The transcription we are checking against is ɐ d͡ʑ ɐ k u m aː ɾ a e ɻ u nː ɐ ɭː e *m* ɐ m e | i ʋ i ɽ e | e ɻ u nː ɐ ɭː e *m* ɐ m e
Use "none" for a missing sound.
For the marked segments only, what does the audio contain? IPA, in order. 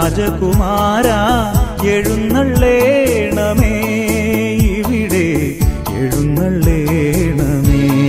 ɳ, ɳ

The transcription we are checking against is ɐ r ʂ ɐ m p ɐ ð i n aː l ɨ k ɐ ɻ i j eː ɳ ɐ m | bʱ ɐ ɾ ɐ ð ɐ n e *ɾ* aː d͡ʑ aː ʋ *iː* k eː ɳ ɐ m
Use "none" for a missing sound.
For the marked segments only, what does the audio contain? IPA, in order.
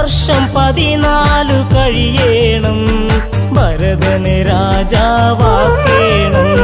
ɾ, aː

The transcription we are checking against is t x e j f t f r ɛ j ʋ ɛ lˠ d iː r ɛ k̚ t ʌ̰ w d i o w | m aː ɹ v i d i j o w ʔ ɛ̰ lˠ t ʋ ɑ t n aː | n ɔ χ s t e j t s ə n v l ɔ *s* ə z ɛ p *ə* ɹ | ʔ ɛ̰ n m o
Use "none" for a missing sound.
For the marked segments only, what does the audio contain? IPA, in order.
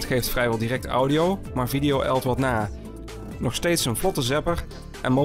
t, ə

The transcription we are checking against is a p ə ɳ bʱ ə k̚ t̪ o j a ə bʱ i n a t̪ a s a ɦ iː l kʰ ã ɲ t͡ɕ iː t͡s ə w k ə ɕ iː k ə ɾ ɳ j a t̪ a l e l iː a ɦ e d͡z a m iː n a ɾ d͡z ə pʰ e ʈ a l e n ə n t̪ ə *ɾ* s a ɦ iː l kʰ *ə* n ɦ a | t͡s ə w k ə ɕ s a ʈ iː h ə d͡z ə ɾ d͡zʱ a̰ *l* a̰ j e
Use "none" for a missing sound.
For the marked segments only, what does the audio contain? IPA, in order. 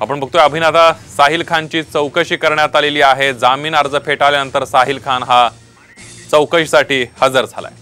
ɾ, a, l

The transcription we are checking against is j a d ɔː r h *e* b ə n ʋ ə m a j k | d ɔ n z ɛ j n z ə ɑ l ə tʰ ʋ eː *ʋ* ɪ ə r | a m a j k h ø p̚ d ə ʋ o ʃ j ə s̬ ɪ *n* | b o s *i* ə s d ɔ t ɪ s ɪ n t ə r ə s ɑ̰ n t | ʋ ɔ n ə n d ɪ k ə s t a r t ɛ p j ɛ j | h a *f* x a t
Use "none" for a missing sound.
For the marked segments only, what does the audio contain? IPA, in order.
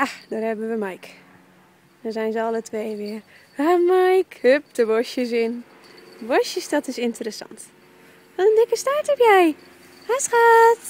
ɛ, ʋ, n, j, s

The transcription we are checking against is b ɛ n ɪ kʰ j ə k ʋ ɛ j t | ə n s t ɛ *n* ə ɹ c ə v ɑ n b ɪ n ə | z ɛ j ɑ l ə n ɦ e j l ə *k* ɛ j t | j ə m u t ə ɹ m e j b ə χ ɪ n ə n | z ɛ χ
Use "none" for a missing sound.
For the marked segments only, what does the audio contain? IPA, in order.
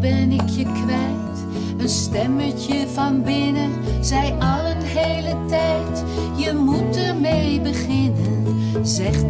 m, t

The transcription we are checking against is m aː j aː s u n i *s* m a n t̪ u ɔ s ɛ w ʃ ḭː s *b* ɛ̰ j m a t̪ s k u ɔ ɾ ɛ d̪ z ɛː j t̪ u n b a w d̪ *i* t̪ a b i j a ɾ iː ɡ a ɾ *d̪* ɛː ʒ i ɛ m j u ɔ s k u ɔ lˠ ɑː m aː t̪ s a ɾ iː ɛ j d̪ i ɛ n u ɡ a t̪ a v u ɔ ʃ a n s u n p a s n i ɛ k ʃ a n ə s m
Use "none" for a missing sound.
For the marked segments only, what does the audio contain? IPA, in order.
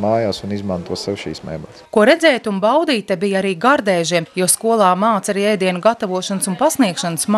z, m, iː, d̪

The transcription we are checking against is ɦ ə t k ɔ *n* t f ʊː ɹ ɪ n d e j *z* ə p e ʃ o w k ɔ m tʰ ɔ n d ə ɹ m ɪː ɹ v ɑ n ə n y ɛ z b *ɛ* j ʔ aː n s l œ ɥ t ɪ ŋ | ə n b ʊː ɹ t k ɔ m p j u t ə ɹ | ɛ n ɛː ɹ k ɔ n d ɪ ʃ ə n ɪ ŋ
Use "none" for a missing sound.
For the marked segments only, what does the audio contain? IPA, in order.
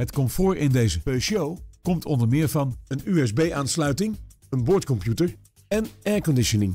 m, z, e

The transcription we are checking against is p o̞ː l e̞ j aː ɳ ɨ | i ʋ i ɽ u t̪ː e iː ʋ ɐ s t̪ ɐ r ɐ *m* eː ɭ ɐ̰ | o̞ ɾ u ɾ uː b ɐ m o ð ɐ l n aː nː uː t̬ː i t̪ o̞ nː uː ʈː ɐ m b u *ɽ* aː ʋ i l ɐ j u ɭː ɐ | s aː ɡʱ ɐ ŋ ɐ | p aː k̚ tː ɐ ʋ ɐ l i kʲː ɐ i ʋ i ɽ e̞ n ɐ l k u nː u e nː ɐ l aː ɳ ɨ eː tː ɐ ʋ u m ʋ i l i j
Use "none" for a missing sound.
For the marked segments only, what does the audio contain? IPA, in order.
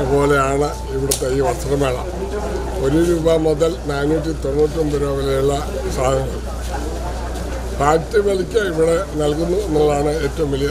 m, ɾ

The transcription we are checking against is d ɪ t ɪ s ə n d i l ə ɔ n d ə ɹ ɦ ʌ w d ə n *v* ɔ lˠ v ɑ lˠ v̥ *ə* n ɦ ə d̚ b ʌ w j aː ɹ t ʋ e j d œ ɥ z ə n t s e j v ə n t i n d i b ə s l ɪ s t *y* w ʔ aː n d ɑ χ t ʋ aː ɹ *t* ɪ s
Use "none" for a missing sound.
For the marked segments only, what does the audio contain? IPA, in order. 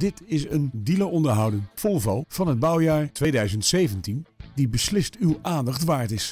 f, ɑ, y, t

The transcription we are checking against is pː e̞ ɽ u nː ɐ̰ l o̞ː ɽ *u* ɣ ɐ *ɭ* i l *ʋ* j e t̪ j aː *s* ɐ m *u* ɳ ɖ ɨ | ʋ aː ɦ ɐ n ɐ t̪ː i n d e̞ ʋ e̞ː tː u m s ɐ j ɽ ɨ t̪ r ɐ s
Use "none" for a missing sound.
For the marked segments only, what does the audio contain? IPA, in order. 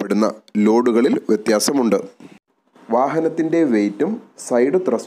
u, ɭ, ʋ, s, u

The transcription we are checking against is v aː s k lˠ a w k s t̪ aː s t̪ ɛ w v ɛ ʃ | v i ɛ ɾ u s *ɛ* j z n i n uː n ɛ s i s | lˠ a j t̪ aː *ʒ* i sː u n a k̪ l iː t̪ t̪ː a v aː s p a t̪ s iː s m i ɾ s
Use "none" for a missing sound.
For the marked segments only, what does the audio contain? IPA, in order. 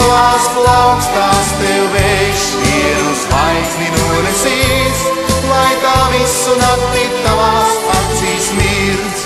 a, v

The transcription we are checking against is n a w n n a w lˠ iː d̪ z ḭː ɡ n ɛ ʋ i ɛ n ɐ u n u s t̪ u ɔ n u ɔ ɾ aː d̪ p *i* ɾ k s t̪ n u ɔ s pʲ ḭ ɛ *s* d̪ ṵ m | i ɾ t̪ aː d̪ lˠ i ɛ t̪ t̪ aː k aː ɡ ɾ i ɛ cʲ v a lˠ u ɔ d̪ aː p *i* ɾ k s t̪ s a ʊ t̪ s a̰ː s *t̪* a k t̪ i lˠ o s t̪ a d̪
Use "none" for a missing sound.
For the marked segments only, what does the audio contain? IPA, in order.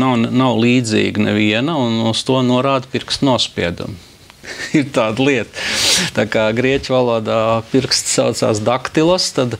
i, none, i, d̪

